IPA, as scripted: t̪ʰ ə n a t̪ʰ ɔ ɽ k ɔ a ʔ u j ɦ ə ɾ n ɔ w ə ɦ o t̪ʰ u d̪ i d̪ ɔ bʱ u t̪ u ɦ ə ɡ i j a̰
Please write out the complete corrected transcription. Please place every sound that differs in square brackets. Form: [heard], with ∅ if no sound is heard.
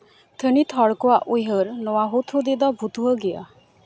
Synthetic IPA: t̪ʰ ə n [i] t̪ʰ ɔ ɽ k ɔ a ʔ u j ɦ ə ɾ n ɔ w [a] ɦ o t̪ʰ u d̪ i d̪ ɔ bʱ u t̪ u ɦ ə ɡ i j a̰